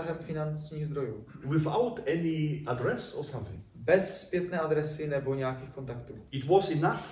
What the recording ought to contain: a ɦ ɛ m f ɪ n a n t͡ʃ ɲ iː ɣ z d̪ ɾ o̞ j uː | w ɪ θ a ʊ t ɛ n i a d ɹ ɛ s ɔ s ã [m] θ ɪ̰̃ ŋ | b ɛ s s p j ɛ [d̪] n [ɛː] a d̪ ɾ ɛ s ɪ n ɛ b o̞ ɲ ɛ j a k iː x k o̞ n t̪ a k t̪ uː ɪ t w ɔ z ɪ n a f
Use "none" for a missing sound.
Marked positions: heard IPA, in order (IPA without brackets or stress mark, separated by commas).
m, t̪, ɛː